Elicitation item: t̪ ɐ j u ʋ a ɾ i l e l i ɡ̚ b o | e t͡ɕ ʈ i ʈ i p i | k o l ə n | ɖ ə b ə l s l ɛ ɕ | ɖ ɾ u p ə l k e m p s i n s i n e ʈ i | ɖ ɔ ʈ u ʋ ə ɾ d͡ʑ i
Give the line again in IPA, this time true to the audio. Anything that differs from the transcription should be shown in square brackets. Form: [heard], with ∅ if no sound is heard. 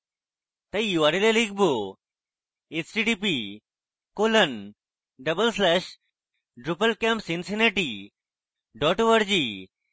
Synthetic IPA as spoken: t̪ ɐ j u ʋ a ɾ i l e l i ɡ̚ b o | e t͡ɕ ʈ i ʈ i p i | k o l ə n | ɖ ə b ə l s l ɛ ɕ | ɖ ɾ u p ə l k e m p s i n s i n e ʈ i | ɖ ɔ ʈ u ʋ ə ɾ d͡ʑ i